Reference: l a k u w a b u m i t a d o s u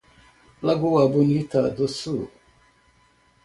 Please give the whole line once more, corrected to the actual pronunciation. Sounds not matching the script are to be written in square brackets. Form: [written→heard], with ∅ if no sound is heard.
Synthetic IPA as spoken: l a [k→ɡ] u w a b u [m→n] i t a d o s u